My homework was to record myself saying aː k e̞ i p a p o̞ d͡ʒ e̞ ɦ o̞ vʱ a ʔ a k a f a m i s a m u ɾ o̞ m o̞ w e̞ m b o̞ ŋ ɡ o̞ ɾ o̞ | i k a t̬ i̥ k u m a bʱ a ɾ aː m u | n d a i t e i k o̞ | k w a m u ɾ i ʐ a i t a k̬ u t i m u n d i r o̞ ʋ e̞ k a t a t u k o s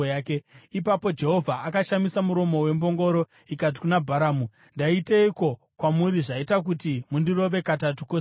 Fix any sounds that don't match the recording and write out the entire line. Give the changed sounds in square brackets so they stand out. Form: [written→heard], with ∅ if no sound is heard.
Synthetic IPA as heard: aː k e̞ i p a p o̞ d͡ʒ e̞ ɦ o̞ vʱ a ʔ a k a [f→ʃ] a m i s a m u ɾ o̞ m o̞ w e̞ m b o̞ ŋ ɡ o̞ ɾ o̞ | i k a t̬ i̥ k u [m→n] a bʱ a ɾ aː m u | n d a i t e i k o̞ | k w a m u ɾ i ʐ a i t a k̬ u t i m u n d i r o̞ ʋ e̞ k a t a t u k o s